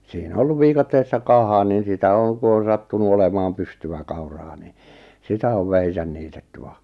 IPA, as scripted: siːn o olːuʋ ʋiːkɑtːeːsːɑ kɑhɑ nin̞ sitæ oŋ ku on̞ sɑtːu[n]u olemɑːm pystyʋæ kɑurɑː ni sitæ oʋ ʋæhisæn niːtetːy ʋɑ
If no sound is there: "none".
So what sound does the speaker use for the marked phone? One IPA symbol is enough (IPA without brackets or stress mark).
n